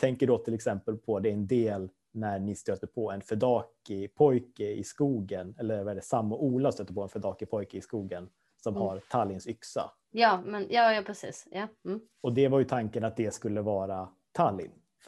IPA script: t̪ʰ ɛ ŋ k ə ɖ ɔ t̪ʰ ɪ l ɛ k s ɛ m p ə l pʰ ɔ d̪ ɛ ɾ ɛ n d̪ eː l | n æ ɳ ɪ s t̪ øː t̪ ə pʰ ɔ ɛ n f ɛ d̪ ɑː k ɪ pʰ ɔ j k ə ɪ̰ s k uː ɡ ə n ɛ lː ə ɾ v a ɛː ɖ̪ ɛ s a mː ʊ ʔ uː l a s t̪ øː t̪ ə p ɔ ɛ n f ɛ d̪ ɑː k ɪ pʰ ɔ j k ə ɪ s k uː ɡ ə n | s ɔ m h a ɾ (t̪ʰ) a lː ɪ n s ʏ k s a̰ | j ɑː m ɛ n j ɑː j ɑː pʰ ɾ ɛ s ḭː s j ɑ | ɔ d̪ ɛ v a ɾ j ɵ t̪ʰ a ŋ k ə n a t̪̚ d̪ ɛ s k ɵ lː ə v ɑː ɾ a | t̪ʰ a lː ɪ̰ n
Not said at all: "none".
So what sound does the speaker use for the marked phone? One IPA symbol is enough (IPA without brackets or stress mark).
t̪ʰ